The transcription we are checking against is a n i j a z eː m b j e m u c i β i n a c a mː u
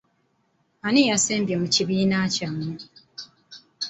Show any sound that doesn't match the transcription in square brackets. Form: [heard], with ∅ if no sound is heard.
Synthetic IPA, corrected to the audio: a n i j a [s] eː m b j e m u c i β [iː] n a c a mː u